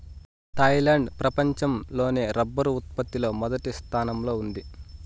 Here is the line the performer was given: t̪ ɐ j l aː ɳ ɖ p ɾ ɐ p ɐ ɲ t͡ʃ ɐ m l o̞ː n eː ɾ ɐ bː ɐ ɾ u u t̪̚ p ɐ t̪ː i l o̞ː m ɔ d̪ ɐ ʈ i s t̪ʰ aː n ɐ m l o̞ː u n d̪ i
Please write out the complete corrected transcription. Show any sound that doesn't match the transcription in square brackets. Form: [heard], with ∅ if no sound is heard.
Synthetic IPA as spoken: t̪ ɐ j l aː ɳ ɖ p ɾ ɐ p ɐ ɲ t͡ʃ ɐ m l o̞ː n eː ɾ ɐ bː ɐ ɾ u u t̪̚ p ɐ t̪ː i l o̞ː m ɔ d̪ ɐ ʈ i s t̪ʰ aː n ɐ m l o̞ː u n d̪ i